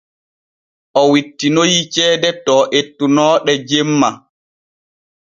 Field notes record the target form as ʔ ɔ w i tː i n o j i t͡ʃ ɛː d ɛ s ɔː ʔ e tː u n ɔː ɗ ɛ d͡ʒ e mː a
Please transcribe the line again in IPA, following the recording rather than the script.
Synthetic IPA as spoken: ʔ ɔ w i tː i n o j i t͡ʃ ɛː d ɛ t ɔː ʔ e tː u n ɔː ɗ ɛ d͡ʒ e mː a